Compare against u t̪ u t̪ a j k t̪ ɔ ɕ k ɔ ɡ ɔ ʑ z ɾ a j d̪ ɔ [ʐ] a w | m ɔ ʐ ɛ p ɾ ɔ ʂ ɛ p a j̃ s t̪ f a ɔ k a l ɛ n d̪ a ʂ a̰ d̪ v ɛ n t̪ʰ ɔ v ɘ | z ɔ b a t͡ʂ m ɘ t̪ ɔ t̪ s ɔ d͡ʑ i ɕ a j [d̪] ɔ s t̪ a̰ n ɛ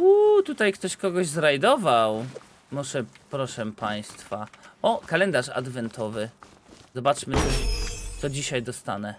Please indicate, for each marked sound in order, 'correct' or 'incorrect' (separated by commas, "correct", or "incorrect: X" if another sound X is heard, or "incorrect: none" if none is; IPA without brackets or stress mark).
incorrect: v, correct